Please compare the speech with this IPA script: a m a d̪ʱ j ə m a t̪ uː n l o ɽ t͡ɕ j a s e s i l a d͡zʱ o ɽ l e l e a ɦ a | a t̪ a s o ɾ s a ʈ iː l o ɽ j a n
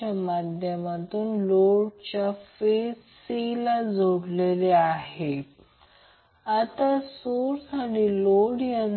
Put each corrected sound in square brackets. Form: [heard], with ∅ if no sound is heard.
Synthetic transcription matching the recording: a m a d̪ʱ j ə m a t̪ uː n l o ɽ t͡ɕ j a [f] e s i l a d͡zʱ o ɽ l e l e a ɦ [e] | a t̪ a s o ɾ s a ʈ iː l o ɽ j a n